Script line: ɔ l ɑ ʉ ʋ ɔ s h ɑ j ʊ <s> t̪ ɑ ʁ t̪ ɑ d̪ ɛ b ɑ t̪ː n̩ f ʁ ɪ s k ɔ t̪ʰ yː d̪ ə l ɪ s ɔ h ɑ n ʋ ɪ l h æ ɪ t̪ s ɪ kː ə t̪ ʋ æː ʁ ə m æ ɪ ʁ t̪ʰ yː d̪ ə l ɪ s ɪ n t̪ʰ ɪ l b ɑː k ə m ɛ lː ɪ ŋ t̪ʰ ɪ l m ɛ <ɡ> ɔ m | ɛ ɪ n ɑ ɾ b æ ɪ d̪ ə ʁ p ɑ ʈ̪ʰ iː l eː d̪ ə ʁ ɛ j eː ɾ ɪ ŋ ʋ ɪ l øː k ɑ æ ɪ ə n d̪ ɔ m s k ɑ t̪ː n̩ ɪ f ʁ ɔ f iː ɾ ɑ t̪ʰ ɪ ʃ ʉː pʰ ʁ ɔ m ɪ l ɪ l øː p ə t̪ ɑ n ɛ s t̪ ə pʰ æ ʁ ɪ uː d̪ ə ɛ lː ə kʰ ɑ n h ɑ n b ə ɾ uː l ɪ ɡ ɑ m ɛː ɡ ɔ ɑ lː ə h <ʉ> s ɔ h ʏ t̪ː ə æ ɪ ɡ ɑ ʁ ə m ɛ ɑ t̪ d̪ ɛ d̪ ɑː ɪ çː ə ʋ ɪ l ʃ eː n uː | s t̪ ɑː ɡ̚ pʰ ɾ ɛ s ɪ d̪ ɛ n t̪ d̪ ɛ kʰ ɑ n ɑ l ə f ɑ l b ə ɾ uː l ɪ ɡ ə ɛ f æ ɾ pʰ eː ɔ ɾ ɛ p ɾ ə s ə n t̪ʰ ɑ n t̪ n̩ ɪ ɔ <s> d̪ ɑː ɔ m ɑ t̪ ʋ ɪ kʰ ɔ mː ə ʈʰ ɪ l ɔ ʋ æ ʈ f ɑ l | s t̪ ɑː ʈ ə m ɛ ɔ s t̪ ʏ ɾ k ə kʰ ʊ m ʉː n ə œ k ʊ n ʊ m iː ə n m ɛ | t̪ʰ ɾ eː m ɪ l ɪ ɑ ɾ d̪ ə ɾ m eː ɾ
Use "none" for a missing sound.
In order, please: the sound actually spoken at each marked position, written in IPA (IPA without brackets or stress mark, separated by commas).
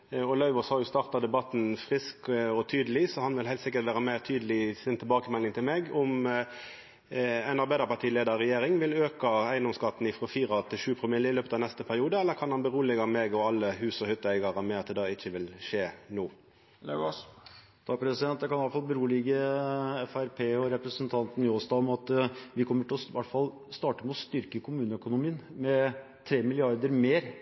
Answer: s, ɡ, ʉː, s